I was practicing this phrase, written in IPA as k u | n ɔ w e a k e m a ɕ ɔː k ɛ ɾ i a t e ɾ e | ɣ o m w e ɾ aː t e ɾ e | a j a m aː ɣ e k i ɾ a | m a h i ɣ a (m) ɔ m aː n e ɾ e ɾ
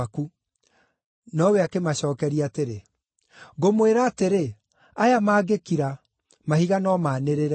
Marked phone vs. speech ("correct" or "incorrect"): incorrect